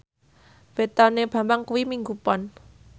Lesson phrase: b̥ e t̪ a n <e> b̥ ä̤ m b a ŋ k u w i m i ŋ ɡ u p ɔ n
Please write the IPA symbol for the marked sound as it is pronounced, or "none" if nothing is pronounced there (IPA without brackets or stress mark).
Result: e